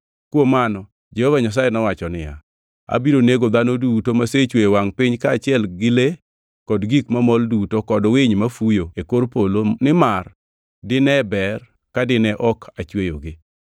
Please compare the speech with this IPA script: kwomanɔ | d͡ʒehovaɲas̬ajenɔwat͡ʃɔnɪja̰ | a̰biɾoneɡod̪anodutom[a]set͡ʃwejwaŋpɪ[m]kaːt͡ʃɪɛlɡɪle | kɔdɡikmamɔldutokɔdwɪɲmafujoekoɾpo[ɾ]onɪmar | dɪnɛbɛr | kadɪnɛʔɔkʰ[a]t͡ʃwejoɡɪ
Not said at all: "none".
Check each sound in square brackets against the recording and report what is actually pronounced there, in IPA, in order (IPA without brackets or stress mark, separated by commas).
a, ɲ, l, a